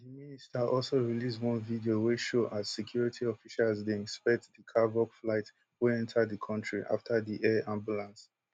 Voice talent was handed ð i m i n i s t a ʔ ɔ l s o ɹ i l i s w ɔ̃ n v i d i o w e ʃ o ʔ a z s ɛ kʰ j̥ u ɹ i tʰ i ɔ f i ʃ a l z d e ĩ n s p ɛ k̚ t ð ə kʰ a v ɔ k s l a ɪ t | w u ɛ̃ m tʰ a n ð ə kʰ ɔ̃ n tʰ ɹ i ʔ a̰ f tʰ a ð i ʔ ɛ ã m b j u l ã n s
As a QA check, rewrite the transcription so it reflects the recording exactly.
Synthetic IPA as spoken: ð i m i n i s t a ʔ ɔ l s o ɹ i l i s w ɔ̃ n v i d i o w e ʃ o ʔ a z s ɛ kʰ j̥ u ɹ i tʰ i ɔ f i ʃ a l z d e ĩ n s p ɛ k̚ t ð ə kʰ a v ɔ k f l a ɪ t | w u ɛ̃ n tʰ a d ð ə kʰ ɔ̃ n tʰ ɹ i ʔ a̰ f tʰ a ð i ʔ ɛ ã m b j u l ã n s